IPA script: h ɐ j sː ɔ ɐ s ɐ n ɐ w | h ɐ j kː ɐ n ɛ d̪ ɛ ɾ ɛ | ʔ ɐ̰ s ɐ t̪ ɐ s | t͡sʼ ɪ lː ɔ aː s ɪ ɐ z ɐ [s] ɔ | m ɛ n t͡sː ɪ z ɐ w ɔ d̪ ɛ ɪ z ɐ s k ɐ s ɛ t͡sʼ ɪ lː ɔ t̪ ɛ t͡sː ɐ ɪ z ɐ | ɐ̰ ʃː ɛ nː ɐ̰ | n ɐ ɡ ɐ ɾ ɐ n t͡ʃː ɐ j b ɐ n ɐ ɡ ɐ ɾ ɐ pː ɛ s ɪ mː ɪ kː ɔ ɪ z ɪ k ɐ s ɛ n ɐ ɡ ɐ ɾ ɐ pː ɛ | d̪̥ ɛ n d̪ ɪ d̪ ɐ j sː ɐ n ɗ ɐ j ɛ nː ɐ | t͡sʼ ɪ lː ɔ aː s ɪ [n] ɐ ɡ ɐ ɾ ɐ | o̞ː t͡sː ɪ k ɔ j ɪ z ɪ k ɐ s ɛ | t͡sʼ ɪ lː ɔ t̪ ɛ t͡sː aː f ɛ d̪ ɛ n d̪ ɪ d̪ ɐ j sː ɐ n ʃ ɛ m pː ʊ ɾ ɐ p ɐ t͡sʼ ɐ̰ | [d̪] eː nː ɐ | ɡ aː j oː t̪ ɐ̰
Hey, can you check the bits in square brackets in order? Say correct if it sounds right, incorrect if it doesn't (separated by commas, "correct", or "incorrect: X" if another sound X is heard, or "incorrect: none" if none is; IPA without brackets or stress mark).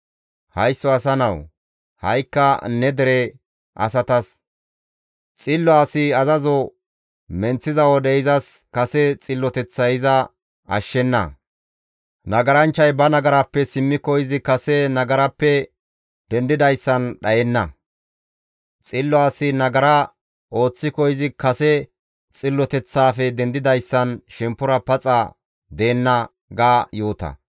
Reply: incorrect: z, correct, correct